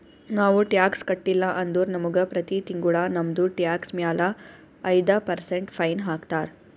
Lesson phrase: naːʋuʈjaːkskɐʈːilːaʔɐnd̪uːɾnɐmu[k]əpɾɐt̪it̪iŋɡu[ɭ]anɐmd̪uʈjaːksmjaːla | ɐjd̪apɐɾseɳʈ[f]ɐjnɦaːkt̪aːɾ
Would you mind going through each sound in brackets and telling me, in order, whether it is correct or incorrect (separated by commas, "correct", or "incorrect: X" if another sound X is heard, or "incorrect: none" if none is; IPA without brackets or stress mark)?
incorrect: ɡ, correct, correct